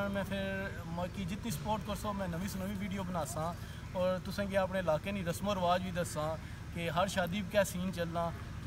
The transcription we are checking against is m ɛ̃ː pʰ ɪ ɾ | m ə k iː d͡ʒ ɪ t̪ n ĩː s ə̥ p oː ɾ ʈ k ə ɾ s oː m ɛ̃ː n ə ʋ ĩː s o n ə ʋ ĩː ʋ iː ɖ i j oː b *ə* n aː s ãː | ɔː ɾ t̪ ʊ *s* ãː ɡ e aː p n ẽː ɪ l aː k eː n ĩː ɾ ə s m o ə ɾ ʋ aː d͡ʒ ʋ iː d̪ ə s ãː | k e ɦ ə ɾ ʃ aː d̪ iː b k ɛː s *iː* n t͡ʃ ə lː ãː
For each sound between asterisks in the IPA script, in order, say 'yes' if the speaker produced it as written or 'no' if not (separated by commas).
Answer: yes, yes, yes